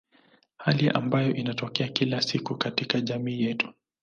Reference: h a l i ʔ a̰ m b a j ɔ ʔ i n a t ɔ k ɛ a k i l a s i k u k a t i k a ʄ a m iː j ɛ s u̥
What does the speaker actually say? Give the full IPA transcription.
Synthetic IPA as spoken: h a l i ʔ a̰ m b a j ɔ ʔ i n a t ɔ k ɛ a k i l a s i k u k a t i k a ʄ a m iː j ɛ t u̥